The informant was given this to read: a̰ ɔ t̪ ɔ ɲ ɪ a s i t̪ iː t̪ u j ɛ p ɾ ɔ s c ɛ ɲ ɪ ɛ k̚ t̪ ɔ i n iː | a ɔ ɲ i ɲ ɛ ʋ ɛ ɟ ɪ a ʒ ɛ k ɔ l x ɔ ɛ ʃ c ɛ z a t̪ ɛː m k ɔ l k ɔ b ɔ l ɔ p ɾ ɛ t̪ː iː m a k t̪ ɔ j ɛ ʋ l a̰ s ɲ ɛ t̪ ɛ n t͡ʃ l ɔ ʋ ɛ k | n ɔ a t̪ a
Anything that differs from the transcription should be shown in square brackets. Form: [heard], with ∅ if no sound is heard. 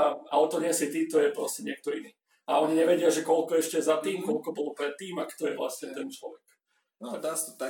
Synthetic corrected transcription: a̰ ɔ t̪ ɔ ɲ ɪ [ɛ] s i t̪ iː t̪ [ɔ] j ɛ p ɾ ɔ s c ɛ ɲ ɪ ɛ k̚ t̪ ɔ i n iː | a ɔ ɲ i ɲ ɛ ʋ ɛ ɟ ɪ a ʒ ɛ k ɔ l [k] ɔ ɛ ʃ c ɛ z a t̪ [iː] m k ɔ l k ɔ b ɔ l ɔ p ɾ ɛ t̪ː iː m a k t̪ ɔ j ɛ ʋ l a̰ s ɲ ɛ t̪ ɛ n t͡ʃ l ɔ ʋ ɛ k | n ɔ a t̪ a